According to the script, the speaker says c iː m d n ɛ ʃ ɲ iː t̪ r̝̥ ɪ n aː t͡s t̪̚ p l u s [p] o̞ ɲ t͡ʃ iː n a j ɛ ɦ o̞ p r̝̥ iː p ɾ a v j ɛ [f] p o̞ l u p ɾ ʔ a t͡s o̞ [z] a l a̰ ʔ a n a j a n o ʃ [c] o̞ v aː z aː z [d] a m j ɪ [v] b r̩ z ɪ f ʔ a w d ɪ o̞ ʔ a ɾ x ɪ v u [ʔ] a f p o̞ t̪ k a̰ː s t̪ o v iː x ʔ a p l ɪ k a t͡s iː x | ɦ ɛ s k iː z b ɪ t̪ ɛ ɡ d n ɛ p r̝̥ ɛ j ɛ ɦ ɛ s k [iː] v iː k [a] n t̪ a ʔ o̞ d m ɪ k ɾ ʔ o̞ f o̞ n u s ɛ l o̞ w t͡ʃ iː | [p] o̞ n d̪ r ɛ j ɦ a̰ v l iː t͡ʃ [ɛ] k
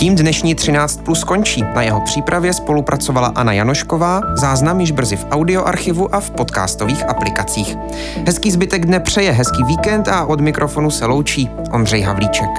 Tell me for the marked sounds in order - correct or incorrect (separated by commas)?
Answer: incorrect, incorrect, incorrect, incorrect, incorrect, incorrect, correct, correct, incorrect, incorrect, correct